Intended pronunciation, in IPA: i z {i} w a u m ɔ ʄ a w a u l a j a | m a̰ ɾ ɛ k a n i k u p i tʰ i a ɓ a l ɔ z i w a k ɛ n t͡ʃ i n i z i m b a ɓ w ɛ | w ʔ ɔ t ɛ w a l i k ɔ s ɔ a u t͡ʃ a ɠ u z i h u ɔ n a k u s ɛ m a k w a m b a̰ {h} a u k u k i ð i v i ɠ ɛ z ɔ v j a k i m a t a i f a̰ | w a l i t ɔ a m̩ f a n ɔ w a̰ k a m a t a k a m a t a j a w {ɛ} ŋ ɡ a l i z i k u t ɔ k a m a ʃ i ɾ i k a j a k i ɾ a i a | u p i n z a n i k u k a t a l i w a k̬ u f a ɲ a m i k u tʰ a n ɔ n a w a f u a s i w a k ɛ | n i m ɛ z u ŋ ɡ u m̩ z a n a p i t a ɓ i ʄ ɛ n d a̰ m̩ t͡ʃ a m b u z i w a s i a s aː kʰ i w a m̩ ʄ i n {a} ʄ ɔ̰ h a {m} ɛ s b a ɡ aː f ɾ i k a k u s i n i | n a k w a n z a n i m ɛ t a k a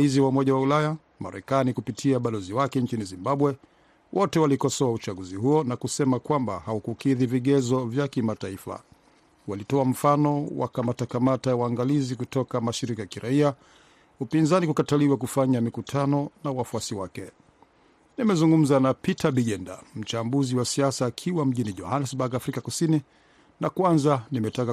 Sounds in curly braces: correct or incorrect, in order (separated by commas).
correct, correct, incorrect, incorrect, incorrect